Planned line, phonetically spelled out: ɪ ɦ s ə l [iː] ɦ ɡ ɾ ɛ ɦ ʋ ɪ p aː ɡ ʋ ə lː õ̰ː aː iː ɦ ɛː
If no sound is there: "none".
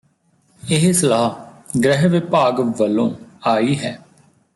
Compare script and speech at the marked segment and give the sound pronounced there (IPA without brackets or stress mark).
aː